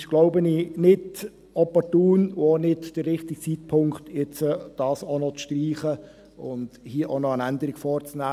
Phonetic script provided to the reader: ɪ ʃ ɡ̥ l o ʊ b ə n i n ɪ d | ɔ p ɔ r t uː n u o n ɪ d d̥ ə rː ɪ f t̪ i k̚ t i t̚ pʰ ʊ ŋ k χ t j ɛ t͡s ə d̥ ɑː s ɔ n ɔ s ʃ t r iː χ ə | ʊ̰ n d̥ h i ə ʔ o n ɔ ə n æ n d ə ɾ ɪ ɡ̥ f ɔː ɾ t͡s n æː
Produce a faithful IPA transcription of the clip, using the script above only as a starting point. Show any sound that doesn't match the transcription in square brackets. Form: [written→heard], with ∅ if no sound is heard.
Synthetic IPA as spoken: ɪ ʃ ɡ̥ l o ʊ b ə n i n ɪ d | ɔ p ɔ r t uː n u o n ɪ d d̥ ə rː ɪ [f→χ] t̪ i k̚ [t→t͡s] i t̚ pʰ ʊ ŋ k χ t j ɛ t͡s ə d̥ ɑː s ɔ n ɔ [s→t͡s] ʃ t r iː χ ə | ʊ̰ n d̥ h i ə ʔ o n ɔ ə n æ n d ə ɾ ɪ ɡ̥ f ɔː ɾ t͡s n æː